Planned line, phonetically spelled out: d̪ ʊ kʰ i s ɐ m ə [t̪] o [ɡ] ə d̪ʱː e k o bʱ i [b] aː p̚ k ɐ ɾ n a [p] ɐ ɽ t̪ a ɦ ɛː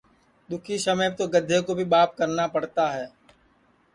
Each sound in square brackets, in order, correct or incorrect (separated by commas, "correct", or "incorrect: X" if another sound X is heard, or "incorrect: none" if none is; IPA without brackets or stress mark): correct, correct, correct, correct